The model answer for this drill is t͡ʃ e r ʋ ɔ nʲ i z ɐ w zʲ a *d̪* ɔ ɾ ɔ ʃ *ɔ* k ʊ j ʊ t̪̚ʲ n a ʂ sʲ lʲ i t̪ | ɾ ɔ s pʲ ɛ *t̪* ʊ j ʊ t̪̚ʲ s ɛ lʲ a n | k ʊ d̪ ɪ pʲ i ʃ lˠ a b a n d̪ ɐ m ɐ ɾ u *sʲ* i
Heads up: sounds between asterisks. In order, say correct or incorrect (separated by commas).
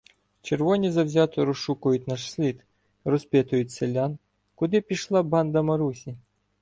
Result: incorrect, incorrect, correct, correct